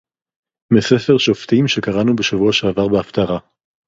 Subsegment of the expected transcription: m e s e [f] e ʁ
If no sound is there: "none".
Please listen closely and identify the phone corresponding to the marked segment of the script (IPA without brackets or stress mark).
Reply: f